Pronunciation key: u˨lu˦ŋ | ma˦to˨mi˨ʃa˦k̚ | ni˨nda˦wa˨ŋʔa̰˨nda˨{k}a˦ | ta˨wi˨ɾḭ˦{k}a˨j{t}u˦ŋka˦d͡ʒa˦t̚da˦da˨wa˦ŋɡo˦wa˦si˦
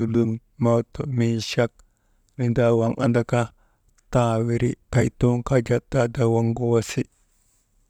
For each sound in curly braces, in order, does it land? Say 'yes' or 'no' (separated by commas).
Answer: yes, yes, yes